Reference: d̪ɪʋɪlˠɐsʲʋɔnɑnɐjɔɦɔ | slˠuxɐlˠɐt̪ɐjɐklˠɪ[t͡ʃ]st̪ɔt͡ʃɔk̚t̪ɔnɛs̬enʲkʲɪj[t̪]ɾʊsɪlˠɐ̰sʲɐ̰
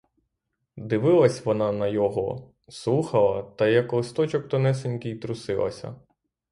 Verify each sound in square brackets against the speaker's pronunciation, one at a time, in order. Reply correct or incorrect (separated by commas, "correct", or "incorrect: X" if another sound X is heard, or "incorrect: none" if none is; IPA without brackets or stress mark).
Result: incorrect: none, correct